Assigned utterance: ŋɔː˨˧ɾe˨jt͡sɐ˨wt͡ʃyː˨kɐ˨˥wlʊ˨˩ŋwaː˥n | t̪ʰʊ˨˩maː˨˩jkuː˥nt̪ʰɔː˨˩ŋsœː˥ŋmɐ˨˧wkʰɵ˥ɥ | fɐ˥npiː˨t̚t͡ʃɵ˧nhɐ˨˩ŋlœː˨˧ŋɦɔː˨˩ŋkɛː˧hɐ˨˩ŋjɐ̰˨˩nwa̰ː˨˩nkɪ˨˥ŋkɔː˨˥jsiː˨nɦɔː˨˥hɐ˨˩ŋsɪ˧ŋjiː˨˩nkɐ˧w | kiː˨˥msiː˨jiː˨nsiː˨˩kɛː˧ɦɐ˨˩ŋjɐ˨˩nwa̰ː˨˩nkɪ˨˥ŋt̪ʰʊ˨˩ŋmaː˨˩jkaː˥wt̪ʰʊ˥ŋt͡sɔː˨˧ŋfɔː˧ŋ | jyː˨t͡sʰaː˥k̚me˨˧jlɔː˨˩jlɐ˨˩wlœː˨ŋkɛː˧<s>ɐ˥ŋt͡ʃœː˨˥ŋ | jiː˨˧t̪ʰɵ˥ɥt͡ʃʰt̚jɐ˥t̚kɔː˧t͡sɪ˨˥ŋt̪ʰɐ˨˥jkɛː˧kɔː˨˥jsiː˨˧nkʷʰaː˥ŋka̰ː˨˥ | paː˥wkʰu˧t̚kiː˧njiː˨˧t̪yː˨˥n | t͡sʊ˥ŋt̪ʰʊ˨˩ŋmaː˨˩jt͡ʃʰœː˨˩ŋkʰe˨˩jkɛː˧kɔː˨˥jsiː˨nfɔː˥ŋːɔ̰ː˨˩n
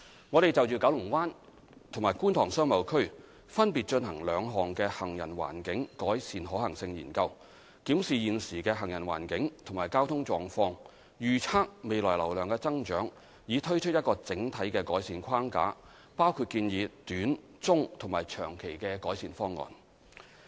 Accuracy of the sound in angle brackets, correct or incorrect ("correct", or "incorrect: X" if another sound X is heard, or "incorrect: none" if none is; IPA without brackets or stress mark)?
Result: incorrect: t͡s